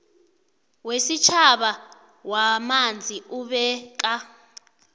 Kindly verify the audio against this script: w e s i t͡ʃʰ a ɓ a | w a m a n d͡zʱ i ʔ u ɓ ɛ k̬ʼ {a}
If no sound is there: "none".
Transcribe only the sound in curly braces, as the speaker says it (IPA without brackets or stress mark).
a